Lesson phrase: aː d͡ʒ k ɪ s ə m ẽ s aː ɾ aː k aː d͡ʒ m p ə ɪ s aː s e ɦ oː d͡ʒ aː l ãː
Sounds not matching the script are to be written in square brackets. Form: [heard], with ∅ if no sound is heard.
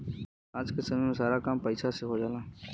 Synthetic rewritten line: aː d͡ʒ k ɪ s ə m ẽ s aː ɾ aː k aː [∅] m p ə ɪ s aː s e ɦ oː d͡ʒ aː l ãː